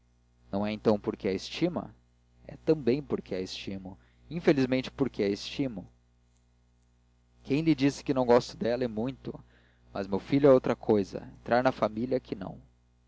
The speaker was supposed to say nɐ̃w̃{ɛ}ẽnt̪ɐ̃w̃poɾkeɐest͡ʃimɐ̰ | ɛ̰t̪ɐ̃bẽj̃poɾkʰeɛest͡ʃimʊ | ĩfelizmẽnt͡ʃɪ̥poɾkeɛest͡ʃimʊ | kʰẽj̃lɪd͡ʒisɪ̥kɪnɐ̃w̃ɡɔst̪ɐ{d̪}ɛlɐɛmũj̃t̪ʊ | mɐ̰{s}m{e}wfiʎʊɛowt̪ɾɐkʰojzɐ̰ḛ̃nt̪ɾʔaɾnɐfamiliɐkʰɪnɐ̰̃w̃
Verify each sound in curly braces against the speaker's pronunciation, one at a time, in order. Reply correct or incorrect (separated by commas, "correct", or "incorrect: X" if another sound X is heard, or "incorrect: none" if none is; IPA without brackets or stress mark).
correct, correct, incorrect: z, correct